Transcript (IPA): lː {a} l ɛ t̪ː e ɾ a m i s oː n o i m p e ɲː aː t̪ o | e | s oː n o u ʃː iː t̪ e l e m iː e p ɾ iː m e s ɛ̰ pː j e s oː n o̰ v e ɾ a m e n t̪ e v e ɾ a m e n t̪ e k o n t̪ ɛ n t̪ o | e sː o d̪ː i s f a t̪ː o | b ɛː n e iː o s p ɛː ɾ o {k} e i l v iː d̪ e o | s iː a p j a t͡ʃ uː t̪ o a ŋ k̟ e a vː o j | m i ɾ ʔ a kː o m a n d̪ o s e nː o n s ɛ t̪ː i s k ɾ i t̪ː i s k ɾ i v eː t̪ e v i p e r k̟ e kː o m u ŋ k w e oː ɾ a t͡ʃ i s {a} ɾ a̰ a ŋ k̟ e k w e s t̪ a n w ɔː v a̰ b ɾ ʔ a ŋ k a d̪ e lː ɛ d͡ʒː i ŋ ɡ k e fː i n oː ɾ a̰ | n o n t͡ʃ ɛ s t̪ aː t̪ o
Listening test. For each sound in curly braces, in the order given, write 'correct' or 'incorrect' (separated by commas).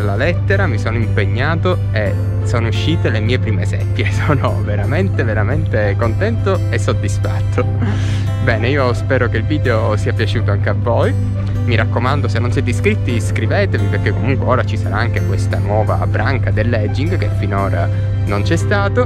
correct, correct, correct